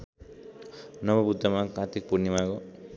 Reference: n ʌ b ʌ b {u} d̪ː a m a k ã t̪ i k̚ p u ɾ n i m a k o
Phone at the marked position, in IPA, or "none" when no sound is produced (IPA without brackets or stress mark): u